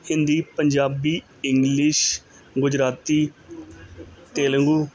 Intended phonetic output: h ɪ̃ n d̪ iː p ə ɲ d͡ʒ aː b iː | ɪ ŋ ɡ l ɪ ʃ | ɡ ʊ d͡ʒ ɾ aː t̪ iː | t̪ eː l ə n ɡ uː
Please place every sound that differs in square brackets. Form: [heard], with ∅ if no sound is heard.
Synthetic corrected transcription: h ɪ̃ n d̪ iː p ə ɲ d͡ʒ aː b iː | ɪ ŋ ɡ l ɪ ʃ | ɡ ʊ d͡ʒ ɾ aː t̪ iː | t̪ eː l ə [ŋ] ɡ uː